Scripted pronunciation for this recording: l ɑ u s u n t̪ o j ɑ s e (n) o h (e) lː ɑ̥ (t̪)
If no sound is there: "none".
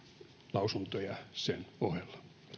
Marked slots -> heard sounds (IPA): n, e, none

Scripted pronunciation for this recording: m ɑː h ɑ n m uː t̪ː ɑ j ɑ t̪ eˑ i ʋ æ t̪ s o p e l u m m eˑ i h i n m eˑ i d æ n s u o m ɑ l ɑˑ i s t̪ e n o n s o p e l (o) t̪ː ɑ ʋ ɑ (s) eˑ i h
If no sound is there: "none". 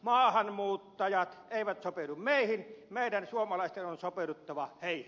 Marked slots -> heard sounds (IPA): u, h

